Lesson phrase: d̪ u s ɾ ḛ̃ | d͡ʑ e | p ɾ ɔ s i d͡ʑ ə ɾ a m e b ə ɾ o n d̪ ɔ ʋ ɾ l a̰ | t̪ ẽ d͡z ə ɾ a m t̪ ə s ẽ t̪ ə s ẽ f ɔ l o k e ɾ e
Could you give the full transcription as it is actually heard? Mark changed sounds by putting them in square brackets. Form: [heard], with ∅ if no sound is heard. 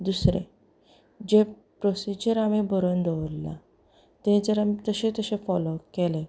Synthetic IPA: d̪ u s ɾ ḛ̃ | d͡ʑ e | p ɾ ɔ s i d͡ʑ ə ɾ a m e b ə ɾ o n d̪ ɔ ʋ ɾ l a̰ | t̪ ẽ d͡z ə ɾ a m t̪ ə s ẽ t̪ ə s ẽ f ɔ l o k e [l] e